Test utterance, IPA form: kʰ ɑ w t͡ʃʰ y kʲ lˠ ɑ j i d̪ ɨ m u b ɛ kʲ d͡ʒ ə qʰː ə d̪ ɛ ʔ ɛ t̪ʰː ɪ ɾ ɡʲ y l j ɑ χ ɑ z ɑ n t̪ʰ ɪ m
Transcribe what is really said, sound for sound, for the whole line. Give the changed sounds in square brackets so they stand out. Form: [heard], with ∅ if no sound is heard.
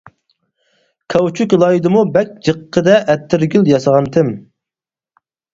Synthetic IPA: kʰ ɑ w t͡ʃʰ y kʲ lˠ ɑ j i d̪ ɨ m u b ɛ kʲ d͡ʒ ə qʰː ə d̪ ɛ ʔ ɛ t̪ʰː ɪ ɾ ɡʲ y l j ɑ [s] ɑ [ʁ] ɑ n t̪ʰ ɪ m